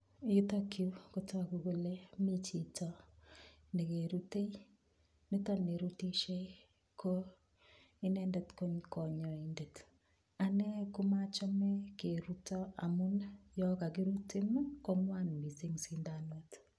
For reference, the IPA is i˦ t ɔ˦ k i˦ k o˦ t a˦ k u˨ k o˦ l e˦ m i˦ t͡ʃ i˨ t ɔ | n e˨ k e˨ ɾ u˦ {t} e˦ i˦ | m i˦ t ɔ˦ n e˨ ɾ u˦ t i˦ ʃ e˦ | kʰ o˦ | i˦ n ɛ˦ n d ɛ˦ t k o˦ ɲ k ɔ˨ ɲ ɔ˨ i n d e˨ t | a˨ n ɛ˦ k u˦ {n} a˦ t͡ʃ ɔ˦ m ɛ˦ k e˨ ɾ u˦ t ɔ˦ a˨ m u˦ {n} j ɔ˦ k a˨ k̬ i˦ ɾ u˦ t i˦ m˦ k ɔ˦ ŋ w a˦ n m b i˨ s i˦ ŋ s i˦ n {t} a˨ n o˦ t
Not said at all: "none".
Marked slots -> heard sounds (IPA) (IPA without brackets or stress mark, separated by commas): t, m, n, d